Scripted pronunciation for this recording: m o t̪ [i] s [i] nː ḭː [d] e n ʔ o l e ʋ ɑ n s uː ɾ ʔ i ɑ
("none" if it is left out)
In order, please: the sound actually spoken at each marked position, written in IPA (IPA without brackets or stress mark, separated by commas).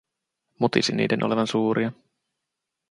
i, i, d